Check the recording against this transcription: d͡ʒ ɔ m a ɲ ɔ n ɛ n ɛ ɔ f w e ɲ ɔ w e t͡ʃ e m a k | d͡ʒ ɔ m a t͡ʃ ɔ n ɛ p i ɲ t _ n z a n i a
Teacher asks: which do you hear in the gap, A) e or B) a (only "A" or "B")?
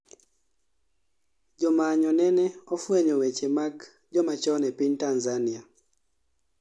B